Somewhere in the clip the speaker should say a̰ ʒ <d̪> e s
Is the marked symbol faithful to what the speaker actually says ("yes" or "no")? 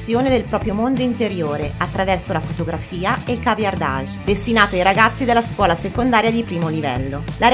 yes